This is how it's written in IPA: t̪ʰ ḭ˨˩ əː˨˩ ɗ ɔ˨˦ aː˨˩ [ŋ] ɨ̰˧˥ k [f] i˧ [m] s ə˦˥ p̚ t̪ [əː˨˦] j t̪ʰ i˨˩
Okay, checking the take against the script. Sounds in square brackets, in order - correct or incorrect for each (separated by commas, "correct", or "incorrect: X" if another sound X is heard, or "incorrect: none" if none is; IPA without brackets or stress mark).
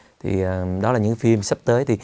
incorrect: ɲ, correct, correct, correct